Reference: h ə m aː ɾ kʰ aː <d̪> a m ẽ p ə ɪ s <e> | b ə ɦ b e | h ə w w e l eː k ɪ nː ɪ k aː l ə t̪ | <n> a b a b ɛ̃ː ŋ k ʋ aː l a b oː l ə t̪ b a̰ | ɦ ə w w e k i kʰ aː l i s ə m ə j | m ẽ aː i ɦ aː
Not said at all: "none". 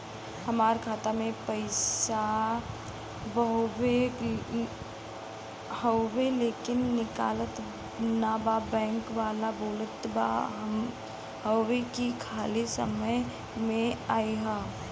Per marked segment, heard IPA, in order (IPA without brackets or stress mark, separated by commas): t̪, a, n